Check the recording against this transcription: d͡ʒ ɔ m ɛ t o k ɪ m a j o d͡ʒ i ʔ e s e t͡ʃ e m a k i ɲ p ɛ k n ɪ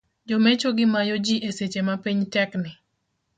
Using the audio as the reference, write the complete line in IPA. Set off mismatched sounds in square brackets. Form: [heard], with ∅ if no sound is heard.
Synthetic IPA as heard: d͡ʒ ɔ m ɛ [t͡ʃ] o [ɡ] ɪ m a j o d͡ʒ i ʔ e s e t͡ʃ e m a [p] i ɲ [t] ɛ k n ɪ